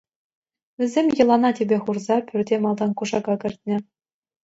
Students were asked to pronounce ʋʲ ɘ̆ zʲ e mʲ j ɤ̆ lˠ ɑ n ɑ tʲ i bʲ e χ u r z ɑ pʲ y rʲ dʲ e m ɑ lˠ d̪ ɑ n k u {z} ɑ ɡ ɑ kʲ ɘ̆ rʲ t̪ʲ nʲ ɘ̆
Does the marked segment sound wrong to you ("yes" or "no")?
yes